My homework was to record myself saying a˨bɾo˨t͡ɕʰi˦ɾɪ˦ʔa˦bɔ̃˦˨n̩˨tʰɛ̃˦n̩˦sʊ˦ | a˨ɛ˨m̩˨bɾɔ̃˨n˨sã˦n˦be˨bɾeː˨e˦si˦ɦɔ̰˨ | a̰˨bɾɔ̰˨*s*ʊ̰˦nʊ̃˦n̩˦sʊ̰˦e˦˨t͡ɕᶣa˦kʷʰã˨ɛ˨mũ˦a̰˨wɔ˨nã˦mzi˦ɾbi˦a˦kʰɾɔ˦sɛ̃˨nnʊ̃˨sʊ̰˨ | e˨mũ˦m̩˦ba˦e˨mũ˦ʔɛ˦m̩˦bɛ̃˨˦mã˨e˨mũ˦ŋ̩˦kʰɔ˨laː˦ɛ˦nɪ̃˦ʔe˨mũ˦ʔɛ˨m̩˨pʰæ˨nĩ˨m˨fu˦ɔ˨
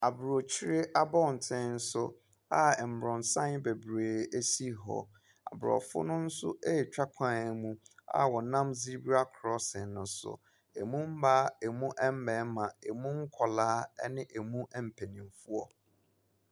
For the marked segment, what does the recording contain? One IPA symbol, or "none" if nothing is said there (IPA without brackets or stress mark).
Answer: f